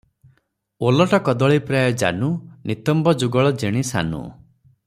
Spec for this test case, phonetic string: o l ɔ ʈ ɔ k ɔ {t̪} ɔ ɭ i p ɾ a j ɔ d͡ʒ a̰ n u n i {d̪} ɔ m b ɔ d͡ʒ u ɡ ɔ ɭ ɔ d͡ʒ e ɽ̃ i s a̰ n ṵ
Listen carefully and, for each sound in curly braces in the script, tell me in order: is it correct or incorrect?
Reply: incorrect: d̪, incorrect: t̪

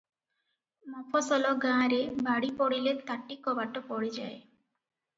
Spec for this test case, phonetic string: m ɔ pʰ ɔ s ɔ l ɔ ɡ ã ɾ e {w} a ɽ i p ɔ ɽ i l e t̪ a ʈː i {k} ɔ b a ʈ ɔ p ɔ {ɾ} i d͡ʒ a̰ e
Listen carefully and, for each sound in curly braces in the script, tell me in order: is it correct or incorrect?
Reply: incorrect: b, correct, incorrect: ɽ

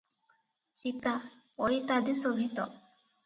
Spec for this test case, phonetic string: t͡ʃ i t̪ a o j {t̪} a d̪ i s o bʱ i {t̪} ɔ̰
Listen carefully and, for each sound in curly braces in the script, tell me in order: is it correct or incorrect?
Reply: correct, correct

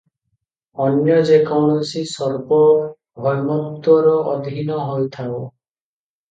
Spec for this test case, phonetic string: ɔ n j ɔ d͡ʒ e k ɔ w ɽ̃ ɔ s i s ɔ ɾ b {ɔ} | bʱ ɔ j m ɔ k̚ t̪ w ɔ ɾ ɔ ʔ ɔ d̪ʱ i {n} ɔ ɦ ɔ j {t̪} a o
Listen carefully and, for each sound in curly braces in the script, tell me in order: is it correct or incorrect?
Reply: correct, correct, incorrect: t̪ʰ

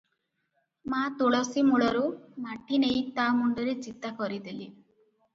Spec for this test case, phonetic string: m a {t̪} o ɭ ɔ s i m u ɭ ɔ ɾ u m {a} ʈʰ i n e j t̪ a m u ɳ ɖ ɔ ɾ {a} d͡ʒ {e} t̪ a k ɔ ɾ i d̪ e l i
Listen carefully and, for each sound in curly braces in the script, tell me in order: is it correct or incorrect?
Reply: correct, correct, incorrect: e, incorrect: i

